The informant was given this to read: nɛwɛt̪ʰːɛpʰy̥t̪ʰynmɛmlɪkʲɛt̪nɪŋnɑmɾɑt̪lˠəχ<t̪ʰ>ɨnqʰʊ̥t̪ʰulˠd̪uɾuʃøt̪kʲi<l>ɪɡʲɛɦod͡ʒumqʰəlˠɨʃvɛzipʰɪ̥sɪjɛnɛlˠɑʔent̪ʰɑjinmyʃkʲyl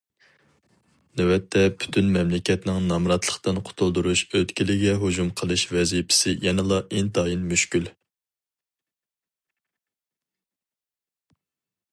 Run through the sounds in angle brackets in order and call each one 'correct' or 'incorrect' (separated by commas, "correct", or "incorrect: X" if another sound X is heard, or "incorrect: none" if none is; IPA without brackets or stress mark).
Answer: incorrect: t̪, correct